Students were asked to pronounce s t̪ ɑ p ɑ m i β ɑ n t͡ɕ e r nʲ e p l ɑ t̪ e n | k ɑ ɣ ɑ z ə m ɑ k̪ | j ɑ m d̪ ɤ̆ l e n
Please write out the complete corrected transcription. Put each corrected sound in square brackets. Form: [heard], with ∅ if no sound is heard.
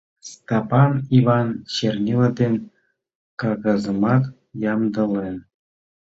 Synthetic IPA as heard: s t̪ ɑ p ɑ [n] i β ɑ n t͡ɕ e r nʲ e [∅] l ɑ [d̪] e n | k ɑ ɣ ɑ z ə m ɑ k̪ | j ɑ m d̪ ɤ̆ l e n